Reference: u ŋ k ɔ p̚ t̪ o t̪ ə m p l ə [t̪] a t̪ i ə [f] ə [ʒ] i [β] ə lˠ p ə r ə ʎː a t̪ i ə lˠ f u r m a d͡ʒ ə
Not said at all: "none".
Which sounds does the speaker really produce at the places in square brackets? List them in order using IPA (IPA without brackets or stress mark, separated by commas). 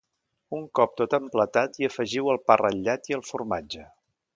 t̪, f, ʒ, w